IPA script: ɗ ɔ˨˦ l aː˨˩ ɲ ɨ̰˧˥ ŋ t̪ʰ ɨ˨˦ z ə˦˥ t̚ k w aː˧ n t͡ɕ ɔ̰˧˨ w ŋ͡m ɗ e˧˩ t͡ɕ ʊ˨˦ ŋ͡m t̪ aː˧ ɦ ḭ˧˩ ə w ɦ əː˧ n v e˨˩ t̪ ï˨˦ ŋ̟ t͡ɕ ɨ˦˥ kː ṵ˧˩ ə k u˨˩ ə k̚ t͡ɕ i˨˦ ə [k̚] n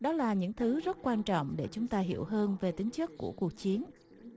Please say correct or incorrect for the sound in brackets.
incorrect